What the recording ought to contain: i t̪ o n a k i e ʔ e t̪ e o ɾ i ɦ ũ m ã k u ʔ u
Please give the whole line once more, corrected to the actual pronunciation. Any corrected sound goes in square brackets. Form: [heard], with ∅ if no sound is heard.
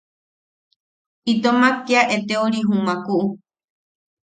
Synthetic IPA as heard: i t̪ o [m] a k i [a] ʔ e t̪ e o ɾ i ɦ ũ m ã k u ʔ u